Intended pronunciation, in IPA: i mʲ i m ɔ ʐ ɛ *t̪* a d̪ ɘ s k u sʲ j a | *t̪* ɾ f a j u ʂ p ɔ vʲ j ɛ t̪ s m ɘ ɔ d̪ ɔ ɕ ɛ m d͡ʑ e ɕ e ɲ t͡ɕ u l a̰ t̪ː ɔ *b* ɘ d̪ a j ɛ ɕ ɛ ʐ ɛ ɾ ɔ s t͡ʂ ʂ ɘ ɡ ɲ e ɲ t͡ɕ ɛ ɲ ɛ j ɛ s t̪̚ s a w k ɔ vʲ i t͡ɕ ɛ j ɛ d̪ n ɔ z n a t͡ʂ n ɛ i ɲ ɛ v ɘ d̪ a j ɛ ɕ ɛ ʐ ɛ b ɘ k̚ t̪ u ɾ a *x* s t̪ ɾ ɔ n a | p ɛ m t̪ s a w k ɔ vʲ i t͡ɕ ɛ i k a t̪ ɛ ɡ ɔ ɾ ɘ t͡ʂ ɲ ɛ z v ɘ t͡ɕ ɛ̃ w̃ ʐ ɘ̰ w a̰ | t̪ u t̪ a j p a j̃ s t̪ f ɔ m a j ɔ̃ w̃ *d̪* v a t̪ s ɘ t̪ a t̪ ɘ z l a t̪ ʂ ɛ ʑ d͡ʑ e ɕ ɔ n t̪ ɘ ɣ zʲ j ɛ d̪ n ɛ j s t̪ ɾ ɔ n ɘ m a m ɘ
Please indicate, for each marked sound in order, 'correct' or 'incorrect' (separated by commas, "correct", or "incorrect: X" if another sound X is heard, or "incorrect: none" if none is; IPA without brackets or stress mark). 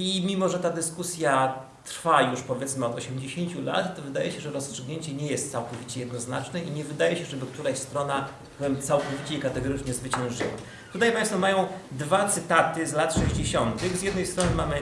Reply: correct, correct, incorrect: v, incorrect: ɕ, correct